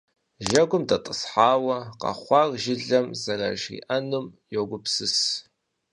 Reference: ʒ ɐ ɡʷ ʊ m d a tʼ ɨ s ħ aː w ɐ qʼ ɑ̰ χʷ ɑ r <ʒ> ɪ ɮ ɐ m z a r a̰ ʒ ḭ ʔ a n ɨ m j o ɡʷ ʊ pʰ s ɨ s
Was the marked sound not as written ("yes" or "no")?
no